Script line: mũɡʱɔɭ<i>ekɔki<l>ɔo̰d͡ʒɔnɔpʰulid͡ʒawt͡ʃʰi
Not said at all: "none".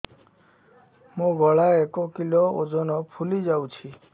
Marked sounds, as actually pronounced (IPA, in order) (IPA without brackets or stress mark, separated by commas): a, l